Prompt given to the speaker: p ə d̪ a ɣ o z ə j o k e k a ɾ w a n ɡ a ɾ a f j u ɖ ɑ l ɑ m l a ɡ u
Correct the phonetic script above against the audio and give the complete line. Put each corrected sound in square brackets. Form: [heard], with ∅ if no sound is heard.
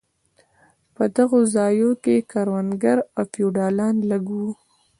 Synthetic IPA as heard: p ə d̪ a ɣ o z [ɑ] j o k e k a ɾ w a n ɡ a ɾ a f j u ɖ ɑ l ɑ [n] l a ɡ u